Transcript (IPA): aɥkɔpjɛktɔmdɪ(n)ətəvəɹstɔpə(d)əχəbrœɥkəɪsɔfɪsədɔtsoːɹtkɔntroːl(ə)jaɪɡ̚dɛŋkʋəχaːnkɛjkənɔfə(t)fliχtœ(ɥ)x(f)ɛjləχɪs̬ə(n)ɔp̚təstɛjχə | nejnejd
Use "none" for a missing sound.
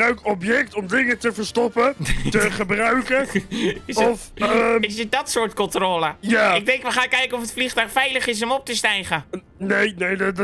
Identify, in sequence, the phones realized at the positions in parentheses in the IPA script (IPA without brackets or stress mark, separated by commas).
ŋ, t, ə, t, ɥ, f, m